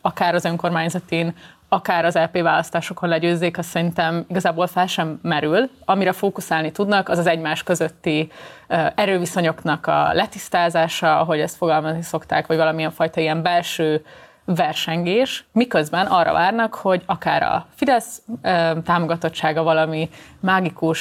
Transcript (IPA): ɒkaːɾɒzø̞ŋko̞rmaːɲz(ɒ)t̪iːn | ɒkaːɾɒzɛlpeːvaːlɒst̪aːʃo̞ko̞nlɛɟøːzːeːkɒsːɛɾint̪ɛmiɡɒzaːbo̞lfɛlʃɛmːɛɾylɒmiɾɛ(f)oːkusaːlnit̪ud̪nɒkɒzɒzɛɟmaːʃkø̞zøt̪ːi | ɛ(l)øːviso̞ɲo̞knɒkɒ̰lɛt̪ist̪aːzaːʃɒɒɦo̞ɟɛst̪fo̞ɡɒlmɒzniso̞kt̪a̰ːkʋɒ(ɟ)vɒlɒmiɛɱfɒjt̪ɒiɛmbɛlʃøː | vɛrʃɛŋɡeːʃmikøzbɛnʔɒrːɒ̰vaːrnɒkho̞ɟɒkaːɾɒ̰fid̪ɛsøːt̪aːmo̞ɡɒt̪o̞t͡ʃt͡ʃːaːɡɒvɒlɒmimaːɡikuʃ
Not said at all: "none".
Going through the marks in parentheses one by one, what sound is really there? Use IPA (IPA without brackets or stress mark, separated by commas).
ɒ, f, ɾ, ɟ